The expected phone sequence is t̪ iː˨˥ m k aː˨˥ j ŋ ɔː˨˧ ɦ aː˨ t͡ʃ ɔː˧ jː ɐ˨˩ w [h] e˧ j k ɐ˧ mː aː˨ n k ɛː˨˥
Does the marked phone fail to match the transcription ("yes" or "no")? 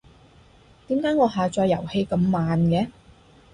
no